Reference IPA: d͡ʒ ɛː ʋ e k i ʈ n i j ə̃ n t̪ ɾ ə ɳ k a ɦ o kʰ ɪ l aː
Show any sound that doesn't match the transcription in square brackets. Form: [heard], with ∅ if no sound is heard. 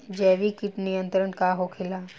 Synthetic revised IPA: d͡ʒ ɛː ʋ [i] k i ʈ n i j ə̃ n t̪ ɾ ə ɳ k a ɦ o kʰ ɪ l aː